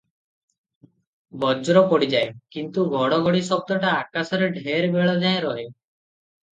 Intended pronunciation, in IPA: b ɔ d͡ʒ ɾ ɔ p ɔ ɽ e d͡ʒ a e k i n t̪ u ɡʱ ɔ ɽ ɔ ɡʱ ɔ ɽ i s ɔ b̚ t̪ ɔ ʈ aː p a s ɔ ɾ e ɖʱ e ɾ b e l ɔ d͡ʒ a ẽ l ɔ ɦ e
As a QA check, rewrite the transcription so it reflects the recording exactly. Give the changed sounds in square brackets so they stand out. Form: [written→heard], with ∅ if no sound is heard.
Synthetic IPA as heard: b ɔ d͡ʒ ɾ ɔ p ɔ ɽ [e→i] d͡ʒ a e k i n t̪ u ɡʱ ɔ ɽ ɔ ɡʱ ɔ ɽ i s ɔ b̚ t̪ ɔ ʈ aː [p→k] a s ɔ ɾ e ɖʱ e ɾ b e [l→ɭ] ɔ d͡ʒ a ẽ [l→ɾ] ɔ ɦ e